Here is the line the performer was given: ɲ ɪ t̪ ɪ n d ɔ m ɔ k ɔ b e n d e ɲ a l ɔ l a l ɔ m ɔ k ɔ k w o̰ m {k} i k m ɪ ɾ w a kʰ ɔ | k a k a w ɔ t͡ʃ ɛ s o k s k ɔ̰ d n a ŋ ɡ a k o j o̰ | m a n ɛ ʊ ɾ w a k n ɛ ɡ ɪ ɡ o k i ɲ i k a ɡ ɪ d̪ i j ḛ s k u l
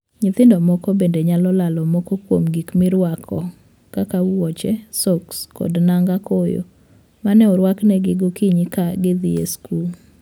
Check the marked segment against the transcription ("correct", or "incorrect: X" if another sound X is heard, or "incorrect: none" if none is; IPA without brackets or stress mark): incorrect: ɡ